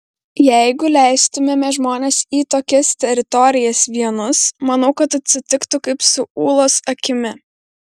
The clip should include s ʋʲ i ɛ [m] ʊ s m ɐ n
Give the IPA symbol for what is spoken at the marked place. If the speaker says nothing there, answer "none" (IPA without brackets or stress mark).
n